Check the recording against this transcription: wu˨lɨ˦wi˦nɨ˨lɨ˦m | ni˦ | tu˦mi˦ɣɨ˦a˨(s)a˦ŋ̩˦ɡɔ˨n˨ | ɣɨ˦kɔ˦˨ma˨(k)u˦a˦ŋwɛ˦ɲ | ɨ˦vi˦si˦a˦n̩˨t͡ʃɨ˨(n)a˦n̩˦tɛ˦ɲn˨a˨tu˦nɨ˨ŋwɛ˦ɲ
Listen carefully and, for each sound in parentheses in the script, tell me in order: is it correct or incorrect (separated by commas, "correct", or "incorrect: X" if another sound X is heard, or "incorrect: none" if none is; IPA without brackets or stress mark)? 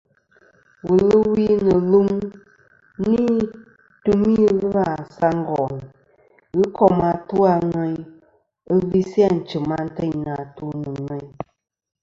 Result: correct, incorrect: t, incorrect: m